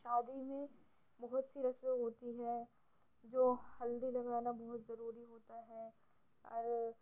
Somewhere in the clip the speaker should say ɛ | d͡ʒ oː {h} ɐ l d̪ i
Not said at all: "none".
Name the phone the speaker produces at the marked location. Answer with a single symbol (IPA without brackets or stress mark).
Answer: h